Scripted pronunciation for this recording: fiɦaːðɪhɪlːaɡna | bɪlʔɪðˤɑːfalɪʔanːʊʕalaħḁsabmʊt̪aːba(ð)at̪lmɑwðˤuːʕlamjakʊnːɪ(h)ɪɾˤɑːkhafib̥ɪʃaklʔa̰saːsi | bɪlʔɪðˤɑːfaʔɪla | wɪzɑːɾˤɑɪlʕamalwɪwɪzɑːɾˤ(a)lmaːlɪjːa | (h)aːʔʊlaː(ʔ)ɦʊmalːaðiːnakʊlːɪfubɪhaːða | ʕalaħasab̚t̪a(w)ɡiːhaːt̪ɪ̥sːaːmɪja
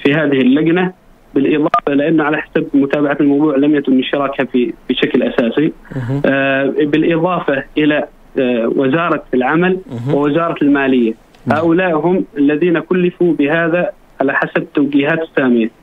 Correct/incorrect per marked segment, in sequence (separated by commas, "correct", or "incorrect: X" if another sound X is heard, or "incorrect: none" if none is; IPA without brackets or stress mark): incorrect: ʕ, incorrect: ʃ, incorrect: ɑ, correct, correct, correct